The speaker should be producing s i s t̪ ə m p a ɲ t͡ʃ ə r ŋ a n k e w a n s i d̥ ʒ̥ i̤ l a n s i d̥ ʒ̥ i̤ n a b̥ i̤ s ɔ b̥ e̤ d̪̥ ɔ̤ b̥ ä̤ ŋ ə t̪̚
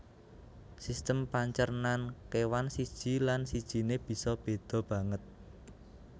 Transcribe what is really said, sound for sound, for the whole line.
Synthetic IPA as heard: s i s t̪ ə m p a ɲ t͡ʃ ə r n a n k e w a n s i d̥ ʒ̥ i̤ l a n s i d̥ ʒ̥ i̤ n e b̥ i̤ s ɔ b̥ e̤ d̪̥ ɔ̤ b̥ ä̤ ŋ ə t̪̚